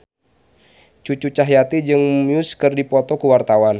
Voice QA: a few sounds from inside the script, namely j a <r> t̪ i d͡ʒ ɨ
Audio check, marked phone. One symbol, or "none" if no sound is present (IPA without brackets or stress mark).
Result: none